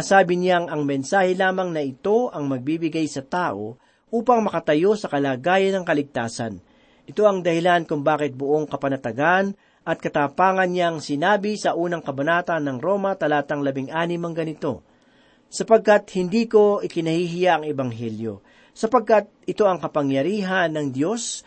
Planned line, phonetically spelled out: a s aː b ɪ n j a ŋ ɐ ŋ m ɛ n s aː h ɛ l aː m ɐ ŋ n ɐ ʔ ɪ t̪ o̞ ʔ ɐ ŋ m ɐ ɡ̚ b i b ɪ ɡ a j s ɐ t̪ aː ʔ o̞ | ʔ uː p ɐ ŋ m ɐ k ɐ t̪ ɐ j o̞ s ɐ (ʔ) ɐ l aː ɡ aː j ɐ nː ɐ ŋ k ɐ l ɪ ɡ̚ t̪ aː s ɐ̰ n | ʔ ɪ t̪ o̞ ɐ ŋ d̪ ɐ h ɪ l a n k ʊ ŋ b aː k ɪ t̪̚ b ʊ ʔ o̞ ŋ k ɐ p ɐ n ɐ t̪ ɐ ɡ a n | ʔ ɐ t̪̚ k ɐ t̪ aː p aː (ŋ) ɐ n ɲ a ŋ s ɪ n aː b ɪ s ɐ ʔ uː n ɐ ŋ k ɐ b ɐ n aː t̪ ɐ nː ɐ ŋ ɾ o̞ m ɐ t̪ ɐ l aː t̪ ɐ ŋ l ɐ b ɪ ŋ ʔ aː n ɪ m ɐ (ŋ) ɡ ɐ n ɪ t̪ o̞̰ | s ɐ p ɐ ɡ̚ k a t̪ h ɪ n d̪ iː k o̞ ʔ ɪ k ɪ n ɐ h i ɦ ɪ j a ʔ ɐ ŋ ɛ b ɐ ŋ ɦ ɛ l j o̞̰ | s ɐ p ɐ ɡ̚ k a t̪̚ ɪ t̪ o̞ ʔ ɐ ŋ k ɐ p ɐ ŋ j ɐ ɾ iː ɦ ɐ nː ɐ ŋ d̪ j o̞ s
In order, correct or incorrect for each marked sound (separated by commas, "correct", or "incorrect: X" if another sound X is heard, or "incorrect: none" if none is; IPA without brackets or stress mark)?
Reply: incorrect: k, correct, correct